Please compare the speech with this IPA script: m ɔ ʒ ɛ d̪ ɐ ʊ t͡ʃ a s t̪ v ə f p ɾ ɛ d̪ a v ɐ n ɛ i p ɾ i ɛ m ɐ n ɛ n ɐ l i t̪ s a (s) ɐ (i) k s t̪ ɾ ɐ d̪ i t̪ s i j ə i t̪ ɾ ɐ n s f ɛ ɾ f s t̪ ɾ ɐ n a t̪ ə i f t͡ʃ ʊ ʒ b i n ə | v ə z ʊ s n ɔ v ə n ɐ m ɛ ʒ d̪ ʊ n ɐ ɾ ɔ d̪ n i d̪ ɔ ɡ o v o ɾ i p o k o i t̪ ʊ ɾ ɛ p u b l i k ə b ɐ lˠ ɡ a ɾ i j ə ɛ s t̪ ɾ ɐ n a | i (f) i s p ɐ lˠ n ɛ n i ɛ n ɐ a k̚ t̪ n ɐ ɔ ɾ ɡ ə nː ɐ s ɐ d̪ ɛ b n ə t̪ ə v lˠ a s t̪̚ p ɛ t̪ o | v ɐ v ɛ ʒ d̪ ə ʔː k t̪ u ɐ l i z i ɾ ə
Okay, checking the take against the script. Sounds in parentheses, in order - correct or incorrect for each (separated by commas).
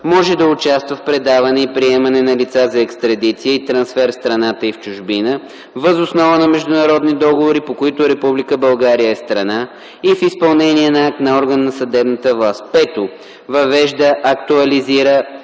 incorrect, incorrect, correct